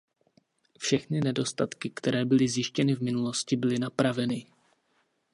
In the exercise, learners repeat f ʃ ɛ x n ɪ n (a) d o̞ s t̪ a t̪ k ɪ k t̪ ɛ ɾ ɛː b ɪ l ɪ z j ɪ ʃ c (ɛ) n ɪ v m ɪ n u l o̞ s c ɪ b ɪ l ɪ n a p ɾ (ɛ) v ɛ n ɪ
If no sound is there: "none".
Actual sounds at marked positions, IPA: ɛ, ɛ, a

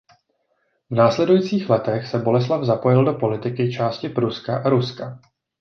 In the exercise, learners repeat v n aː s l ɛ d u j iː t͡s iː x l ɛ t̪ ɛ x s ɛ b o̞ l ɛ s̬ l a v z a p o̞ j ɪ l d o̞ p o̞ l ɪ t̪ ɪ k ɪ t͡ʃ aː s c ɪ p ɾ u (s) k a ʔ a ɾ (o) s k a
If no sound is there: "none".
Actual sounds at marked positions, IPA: s, u

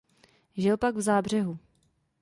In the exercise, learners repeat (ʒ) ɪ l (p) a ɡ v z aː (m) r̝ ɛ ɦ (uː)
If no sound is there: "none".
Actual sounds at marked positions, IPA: ʒ, p, b, u

